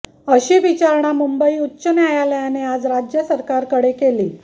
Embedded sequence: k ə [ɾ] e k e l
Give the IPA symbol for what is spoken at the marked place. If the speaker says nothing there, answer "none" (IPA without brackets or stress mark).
ɽ